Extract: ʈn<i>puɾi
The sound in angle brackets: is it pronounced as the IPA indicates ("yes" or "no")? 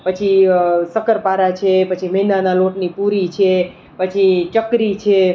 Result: yes